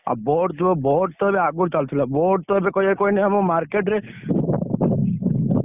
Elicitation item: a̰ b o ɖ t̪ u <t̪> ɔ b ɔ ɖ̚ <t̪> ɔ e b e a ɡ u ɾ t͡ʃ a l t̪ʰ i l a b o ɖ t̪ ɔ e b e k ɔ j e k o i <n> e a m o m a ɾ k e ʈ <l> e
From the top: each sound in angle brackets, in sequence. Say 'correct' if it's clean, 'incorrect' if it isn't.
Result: incorrect: none, correct, correct, incorrect: ɾ

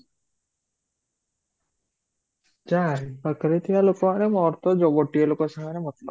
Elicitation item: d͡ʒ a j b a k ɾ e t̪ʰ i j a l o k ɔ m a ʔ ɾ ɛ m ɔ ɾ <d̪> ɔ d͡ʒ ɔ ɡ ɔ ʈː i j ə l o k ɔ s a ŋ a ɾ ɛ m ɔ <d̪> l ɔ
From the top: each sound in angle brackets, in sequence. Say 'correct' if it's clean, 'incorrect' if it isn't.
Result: incorrect: t̪, incorrect: t̪

